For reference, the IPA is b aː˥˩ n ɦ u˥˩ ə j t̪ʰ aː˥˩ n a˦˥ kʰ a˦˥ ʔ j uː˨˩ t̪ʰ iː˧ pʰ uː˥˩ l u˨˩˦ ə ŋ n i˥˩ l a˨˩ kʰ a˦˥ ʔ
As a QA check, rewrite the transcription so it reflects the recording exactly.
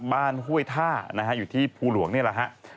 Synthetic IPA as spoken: b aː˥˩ n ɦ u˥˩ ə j t̪ʰ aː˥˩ n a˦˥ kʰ a˦˥ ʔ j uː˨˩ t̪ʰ iː˥˩ pʰ uː˧ l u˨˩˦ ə ŋ n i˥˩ l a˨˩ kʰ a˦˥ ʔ